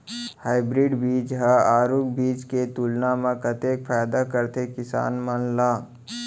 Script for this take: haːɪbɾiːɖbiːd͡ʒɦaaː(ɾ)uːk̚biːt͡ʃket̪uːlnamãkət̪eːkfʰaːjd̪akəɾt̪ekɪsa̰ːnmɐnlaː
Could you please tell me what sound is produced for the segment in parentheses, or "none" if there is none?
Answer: ɾ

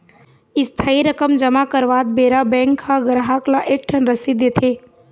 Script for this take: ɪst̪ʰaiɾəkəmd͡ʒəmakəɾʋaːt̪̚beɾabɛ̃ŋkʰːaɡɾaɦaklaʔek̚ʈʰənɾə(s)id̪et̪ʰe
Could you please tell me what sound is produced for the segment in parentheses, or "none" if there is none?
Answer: s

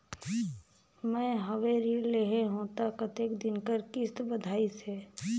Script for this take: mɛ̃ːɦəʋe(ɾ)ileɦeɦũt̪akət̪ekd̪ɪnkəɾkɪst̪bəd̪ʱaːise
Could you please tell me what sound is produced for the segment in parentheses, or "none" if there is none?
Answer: ɾ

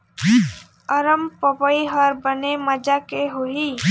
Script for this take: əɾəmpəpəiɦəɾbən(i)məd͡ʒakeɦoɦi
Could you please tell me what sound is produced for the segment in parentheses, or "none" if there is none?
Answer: e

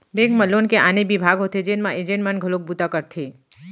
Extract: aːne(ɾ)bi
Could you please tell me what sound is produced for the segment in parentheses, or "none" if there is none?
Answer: none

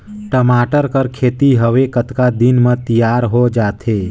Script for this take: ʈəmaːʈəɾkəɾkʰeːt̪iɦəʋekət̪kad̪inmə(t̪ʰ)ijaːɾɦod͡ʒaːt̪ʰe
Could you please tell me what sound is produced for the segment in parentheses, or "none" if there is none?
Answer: t̪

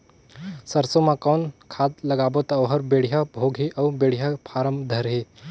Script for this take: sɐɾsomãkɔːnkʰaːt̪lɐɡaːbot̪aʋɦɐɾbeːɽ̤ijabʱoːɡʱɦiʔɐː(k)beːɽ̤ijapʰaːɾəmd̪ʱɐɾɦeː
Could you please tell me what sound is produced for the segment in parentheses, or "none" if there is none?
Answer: none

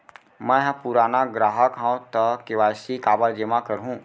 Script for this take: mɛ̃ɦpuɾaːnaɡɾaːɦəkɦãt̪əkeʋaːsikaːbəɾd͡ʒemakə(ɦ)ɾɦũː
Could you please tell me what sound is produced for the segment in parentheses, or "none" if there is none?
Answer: none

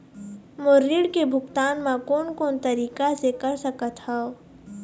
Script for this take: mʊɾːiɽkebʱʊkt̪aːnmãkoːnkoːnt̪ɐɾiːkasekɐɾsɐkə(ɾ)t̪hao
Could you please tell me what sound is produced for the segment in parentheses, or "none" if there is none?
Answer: none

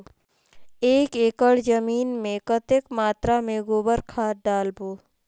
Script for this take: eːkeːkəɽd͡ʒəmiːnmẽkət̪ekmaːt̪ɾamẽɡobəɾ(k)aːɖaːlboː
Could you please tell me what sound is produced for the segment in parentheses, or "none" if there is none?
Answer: kʰ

